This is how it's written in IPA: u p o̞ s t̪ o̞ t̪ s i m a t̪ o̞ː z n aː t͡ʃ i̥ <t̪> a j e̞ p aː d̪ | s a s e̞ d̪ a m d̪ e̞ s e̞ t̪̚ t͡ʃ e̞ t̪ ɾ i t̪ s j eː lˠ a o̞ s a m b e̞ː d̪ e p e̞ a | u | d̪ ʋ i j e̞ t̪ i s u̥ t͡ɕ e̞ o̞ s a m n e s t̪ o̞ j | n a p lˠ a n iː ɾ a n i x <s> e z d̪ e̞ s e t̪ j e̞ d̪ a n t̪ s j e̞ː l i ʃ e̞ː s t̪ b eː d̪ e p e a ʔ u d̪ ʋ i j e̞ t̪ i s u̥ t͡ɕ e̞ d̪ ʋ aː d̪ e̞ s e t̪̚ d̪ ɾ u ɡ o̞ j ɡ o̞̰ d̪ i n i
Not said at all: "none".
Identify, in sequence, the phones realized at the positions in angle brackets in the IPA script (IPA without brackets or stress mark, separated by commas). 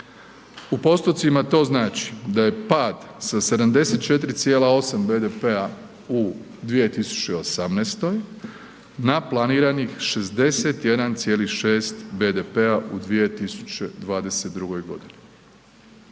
d̪, ʃ